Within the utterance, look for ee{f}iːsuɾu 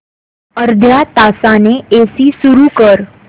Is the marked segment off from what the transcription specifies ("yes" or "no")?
yes